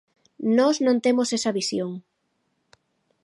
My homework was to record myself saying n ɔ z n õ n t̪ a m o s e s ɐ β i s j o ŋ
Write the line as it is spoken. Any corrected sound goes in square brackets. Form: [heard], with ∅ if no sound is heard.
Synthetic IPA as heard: n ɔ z n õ n t̪ [e] m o s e s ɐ β i s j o ŋ

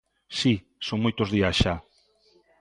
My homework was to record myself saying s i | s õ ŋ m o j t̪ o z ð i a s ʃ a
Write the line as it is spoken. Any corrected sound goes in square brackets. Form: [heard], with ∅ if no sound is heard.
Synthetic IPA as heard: s i | s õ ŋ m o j t̪ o z ð i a s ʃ a

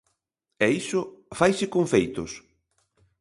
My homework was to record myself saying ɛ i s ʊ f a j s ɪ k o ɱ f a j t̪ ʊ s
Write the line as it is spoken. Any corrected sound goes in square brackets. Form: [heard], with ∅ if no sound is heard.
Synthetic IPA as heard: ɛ i s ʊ f a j s ɪ k o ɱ f [e] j t̪ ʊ s

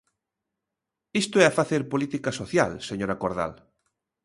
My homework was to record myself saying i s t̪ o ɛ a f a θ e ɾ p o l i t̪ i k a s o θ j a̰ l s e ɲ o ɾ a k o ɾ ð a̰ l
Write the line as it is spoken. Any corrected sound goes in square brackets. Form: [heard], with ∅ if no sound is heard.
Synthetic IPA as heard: i s t̪ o ɛ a f a θ e ɾ p o l i t̪ i k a s o θ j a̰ l s e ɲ o ɾ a k o ɾ ð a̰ l

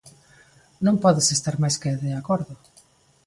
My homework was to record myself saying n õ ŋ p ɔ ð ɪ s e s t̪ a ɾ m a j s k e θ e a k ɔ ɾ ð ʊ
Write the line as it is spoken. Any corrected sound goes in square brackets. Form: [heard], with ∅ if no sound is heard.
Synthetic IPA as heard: n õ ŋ p ɔ ð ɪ s e s t̪ a ɾ m a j s k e [ð] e a k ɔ ɾ ð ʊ

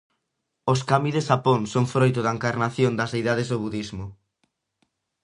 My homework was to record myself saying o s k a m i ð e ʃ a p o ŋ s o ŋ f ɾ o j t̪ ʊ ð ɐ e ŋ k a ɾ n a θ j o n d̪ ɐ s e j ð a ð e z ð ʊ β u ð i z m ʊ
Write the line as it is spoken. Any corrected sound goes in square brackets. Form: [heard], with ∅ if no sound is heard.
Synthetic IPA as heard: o s k a m i ð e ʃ a p o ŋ s o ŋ f ɾ o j t̪ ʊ ð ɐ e ŋ k a ɾ n a θ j o n d̪ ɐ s e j ð a ð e z ð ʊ β u ð i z m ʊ

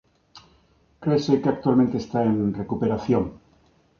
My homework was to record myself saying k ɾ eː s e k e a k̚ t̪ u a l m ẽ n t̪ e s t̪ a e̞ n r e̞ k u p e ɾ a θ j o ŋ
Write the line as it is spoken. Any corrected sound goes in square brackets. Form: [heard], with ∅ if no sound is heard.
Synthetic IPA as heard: k ɾ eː s e k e a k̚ t̪ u a l m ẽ n t̪ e s t̪ a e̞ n r e̞ k u p e ɾ a θ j o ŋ

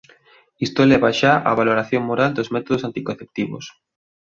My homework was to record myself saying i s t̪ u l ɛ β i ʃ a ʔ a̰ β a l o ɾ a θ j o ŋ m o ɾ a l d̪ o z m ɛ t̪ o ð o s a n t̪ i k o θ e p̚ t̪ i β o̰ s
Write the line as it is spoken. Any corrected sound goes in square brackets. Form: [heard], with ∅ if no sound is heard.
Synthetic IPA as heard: i s t̪ [o] l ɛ β [a] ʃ a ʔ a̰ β a l o ɾ a θ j o ŋ m o ɾ a l d̪ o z m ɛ t̪ o ð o s a n t̪ i k o θ e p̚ t̪ i β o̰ s

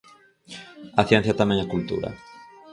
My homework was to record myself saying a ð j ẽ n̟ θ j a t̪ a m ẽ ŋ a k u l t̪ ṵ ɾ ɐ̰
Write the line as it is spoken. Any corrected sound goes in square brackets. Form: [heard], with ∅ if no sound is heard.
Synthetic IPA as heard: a [θ] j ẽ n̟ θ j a t̪ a m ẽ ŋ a k u l t̪ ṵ ɾ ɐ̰

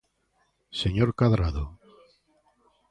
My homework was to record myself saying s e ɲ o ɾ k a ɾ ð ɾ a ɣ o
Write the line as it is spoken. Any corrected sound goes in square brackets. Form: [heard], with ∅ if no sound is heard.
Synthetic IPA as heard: s e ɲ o ɾ k a [∅] ð ɾ a [ð] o

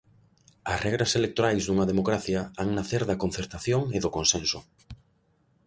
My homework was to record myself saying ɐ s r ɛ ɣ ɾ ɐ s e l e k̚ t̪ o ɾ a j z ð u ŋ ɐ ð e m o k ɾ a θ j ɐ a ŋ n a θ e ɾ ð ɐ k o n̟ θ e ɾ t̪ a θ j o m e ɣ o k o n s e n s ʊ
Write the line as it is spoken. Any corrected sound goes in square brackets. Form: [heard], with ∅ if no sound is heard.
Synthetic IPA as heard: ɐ s r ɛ ɣ ɾ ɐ s e l e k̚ t̪ o ɾ a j z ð u ŋ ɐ ð e m o k ɾ a θ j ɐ a ŋ n a θ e ɾ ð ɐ k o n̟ θ e ɾ t̪ a θ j o [ŋ] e [ð] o k o n s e n s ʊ

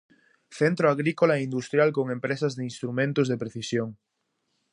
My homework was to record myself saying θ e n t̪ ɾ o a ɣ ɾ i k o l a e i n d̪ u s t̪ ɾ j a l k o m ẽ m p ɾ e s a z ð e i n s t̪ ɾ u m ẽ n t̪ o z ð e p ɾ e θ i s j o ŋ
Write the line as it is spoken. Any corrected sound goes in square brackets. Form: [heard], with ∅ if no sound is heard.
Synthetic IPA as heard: θ e n t̪ ɾ o a ɣ ɾ i k o l a e i n d̪ u s t̪ ɾ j a l k o [ŋ] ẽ m p ɾ e s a z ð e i n s t̪ ɾ u m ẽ n t̪ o z ð e p ɾ e θ i s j o ŋ

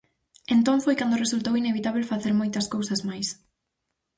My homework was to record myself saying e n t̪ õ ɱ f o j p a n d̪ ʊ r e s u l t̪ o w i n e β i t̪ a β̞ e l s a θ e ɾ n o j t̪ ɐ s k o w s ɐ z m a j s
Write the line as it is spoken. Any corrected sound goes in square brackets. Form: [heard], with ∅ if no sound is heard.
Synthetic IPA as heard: e n t̪ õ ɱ f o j [k] a n d̪ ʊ r e s u l t̪ o w i n e β i t̪ a β̞ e l [f] a θ e ɾ [m] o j t̪ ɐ s k o w s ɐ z m a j s

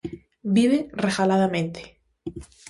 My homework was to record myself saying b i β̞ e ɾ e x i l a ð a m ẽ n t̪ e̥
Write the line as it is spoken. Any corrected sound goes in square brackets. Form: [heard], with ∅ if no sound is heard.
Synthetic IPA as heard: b i β̞ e [r] e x [a] l a ð a m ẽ n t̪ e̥

